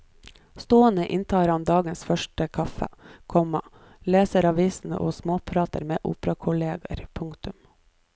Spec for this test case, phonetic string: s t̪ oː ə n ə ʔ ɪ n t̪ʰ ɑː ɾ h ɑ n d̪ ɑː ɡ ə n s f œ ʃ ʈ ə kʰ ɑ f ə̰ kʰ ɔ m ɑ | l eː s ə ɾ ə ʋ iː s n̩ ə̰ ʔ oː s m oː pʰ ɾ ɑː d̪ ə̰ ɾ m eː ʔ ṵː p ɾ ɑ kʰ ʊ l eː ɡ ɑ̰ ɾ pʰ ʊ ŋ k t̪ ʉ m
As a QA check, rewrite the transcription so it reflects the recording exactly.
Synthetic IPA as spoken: s t̪ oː ə n ə ʔ ɪ n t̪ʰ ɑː ɾ h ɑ n d̪ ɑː ɡ ə n s f œ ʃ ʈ ə kʰ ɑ f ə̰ kʰ ɔ m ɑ | l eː s ə ɾ ɑ ʋ iː s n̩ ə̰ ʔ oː s m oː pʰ ɾ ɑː t̪ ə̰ ɾ m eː ʔ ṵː p ɾ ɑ kʰ ʊ l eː ɡ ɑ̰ ɾ pʰ ʊ ŋ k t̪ ʉ m